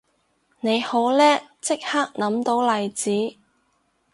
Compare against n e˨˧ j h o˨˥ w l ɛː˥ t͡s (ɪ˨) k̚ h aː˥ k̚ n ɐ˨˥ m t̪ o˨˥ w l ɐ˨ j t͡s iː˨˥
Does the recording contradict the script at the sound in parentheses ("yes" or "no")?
yes